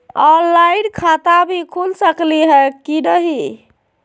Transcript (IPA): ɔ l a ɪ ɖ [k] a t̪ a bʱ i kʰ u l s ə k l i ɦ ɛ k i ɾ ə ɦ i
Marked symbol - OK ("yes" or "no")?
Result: no